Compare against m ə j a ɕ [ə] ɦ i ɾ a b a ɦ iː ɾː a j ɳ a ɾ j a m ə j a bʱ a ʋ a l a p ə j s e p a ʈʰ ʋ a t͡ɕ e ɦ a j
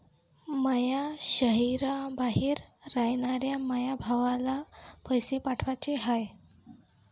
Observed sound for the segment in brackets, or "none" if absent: ə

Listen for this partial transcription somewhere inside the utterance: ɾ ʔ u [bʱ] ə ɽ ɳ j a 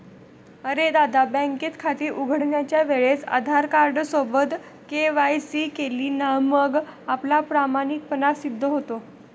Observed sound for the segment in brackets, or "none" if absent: ɡʱ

